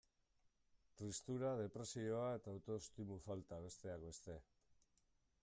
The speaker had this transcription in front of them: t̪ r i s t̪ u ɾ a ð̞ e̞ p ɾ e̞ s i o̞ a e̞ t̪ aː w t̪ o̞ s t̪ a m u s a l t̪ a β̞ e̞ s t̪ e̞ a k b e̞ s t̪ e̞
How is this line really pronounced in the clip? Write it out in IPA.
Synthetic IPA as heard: t̪ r i s t̪ u ɾ a ð̞ e̞ p ɾ e̞ s i o̞ a e̞ t̪ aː w t̪ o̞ s t̪ i m u f a l t̪ a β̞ e̞ s t̪ e̞ a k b e̞ s t̪ e̞